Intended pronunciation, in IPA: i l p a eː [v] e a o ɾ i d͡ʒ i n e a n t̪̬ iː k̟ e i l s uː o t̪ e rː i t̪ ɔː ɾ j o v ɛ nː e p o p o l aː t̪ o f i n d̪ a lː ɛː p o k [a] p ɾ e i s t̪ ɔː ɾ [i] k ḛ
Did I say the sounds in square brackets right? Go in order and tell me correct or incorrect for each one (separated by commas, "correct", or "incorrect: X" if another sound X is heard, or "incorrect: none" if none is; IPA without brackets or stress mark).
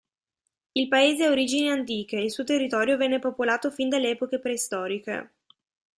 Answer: incorrect: z, incorrect: e, correct